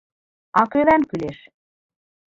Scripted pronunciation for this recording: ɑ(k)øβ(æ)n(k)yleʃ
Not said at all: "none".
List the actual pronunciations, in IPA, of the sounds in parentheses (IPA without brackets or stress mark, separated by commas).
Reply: k, æ, k